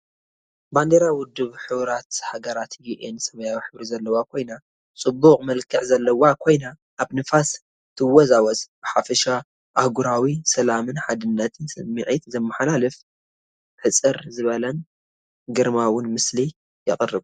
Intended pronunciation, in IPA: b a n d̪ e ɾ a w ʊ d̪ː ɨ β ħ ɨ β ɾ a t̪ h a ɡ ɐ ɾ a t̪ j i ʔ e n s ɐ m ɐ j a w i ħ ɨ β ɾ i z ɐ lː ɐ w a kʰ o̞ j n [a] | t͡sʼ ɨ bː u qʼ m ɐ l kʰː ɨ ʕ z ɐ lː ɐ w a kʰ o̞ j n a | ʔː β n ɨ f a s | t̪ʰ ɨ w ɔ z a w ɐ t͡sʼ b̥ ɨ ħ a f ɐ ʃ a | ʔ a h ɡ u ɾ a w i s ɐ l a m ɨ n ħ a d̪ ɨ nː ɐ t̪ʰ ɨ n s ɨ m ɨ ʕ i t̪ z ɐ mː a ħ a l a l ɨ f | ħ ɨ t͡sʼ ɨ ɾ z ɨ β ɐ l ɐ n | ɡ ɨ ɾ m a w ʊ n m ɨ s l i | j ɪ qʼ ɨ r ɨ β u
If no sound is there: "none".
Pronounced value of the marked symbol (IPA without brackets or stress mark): a